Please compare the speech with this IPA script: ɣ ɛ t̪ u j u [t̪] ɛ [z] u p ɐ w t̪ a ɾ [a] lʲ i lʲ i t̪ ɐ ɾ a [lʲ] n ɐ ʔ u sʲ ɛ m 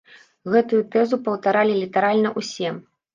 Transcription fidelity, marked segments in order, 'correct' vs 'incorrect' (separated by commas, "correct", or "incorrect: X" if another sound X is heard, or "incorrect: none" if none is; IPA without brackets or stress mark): correct, correct, correct, correct